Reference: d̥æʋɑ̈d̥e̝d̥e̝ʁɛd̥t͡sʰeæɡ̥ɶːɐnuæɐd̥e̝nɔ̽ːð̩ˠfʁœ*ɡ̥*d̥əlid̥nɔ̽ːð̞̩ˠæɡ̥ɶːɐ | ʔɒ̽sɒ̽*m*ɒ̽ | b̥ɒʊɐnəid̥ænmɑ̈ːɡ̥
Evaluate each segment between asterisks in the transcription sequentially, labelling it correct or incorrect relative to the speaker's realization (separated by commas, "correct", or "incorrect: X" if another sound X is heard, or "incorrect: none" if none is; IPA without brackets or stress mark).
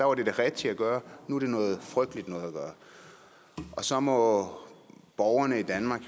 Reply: correct, correct